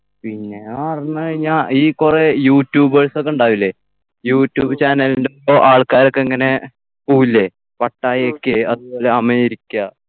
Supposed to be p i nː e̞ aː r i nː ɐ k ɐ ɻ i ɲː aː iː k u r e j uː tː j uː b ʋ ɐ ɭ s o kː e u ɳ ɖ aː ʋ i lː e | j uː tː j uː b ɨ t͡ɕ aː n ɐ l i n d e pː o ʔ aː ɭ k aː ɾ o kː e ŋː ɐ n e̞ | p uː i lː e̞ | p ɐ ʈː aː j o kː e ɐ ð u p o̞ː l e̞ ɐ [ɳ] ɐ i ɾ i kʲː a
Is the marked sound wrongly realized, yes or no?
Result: yes